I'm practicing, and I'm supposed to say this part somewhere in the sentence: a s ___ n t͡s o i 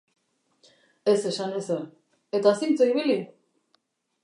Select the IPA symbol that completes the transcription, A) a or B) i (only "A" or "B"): B